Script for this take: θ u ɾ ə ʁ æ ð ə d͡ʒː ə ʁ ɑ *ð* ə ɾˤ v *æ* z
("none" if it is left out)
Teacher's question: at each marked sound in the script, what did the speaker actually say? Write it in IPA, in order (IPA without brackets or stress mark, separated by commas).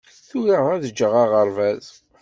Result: ʁ, æ